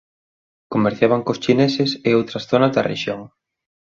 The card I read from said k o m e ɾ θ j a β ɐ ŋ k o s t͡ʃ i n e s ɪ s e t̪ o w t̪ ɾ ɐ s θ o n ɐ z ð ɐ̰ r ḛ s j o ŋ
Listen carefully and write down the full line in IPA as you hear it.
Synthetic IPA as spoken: k o m e ɾ θ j a β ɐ ŋ k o s t͡ʃ i n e s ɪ s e o w t̪ ɾ ɐ s θ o n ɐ z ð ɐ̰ r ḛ ʃ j o ŋ